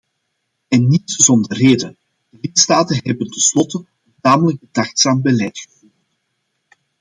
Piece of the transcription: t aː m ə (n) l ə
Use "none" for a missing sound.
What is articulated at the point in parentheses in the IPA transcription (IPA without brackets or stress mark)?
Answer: none